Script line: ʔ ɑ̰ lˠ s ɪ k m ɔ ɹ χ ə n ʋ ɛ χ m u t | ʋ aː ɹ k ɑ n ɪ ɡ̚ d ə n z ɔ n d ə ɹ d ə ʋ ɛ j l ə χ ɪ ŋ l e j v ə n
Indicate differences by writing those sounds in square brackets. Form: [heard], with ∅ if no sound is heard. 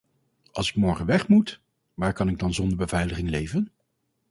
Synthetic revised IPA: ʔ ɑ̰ lˠ s ɪ k m ɔ ɹ χ ə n ʋ ɛ χ m u t | ʋ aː ɹ k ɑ n ɪ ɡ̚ d [ɑ] n z ɔ n d ə ɹ [b] ə [v] ɛ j l ə χ ɪ ŋ l e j v ə n

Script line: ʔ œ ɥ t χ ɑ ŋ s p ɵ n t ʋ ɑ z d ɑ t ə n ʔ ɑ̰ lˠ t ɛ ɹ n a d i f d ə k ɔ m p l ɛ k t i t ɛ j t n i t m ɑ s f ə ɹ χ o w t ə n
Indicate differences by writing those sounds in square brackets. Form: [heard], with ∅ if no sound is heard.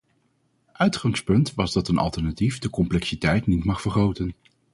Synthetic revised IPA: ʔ œ ɥ t χ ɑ ŋ s p ɵ n t ʋ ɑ z d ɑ t ə n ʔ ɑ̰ lˠ t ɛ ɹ n a [t] i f d ə k ɔ m p l ɛ k [s] i t ɛ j t n i t m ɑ [χ] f ə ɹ χ o w t ə n

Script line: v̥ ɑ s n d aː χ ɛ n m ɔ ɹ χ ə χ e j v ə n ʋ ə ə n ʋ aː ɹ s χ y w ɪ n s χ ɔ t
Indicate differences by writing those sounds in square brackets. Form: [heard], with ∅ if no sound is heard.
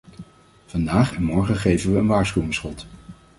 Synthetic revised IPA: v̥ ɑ [∅] n d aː χ ɛ n m ɔ ɹ χ ə χ e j v ə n ʋ ə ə n ʋ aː ɹ s χ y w ɪ [ŋ] s χ ɔ t

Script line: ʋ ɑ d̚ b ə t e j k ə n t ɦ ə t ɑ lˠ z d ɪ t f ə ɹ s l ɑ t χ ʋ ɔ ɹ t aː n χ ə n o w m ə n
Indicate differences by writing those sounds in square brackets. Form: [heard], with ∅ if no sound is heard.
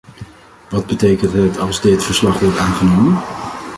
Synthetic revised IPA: ʋ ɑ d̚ b ə t e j k ə n t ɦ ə t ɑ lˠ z d ɪ t f ə ɹ s l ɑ [∅] χ ʋ ɔ ɹ t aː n χ ə n o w m ə n

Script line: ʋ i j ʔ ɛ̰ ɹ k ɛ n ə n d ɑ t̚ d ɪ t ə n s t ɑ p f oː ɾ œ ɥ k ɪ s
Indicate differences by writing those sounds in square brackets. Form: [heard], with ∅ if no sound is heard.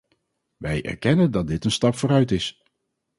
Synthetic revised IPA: ʋ [ɛ] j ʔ ɛ̰ ɹ k ɛ n ə n d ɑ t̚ d ɪ t ə n s t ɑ p f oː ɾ œ ɥ [t] ɪ s

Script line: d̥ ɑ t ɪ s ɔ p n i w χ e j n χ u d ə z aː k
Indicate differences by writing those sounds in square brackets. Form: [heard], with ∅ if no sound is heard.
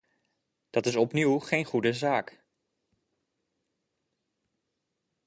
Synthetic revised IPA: d̥ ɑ t ɪ s ɔ p n i w χ e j n χ u d ə z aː k

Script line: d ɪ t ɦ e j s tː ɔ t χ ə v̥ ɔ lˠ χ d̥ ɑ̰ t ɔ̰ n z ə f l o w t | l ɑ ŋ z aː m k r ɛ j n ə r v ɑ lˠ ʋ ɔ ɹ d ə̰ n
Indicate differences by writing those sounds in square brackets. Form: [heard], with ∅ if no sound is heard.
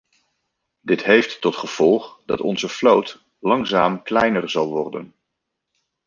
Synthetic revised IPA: d ɪ t ɦ e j [f] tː ɔ t χ ə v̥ ɔ lˠ χ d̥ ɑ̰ t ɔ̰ n z ə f l o w t | l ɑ ŋ z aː m k [l] ɛ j n ə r [z] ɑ lˠ ʋ ɔ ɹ d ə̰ n

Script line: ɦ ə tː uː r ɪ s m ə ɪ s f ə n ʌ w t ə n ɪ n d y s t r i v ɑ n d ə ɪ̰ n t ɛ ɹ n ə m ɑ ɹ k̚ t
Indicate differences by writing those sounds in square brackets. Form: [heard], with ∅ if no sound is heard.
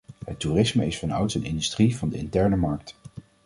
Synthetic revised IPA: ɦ ə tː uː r ɪ s m ə ɪ s f [ɑ] n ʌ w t ə n ɪ n d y s t r i v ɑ n d ə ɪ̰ n t ɛ ɹ n ə m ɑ ɹ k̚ t

